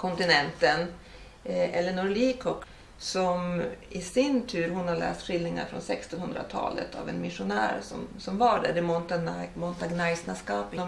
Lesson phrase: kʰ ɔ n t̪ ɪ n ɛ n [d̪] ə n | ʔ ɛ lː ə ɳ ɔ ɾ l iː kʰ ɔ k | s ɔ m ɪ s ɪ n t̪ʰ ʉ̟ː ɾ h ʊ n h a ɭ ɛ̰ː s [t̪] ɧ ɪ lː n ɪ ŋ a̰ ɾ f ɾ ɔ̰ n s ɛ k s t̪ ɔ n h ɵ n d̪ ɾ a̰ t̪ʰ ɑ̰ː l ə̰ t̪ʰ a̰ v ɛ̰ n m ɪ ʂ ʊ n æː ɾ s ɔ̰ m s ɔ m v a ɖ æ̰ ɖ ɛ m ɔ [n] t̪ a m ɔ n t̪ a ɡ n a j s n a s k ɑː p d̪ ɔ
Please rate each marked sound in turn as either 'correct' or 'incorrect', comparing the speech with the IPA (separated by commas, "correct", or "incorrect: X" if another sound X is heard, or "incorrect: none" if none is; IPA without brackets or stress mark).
incorrect: t̪, correct, correct